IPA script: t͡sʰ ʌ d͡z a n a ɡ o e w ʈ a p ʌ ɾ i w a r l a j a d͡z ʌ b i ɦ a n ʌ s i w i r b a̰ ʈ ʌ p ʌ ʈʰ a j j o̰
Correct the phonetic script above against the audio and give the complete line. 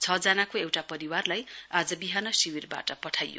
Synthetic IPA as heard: t͡sʰ ʌ d͡z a n a k o e w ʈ a p ʌ ɾ i w a r l a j a d͡z ʌ b i ɦ a n ʌ s i w i r b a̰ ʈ ʌ p ʌ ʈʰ a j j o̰